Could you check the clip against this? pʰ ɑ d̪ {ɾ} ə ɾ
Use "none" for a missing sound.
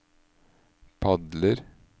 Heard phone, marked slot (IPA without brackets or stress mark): l